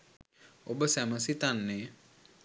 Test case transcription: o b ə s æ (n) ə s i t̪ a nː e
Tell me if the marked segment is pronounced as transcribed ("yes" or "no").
no